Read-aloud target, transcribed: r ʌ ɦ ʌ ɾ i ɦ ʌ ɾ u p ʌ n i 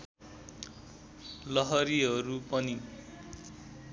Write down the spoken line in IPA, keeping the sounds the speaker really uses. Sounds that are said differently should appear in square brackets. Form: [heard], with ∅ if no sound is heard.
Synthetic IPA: [l] ʌ ɦ ʌ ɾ i ɦ ʌ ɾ u p ʌ n i